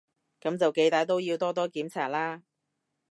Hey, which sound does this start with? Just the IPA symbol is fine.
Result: k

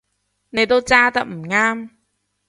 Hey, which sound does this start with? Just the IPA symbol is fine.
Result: n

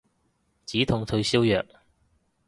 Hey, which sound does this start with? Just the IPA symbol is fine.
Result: t͡s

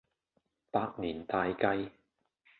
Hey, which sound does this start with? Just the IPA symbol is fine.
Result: p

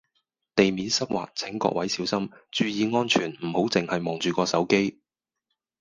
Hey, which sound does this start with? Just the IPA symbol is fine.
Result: t̪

